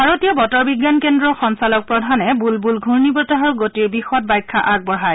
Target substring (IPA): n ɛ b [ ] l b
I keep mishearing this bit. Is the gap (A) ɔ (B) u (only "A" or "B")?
B